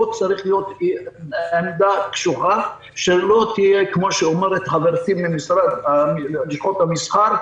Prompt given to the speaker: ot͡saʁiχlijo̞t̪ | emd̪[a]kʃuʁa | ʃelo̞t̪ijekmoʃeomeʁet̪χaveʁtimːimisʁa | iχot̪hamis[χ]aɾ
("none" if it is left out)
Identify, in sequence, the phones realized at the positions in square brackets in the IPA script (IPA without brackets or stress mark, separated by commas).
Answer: a, χ